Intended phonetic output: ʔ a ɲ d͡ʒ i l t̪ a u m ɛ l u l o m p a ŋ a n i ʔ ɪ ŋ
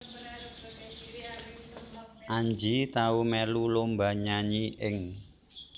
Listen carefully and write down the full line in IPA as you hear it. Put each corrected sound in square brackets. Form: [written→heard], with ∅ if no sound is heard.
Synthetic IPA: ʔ a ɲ d͡ʒ i [l→∅] t̪ a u m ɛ l u l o m [p→b] a [ŋ→ɲ] a [n→ɲ] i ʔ ɪ ŋ